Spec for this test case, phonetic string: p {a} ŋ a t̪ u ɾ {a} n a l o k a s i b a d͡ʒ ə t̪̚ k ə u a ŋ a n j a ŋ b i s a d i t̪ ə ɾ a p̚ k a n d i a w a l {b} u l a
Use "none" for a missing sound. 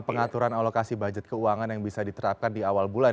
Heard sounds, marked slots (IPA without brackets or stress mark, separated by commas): ə, a, b